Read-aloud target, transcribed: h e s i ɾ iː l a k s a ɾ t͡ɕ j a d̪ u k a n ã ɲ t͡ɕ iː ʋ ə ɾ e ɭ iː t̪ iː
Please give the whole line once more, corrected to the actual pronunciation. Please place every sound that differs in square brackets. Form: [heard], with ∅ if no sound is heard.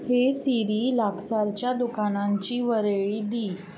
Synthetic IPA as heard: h e s i ɾ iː l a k s a ɾ t͡ɕ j a d̪ u k a n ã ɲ t͡ɕ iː ʋ ə ɾ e ɭ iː [d̪] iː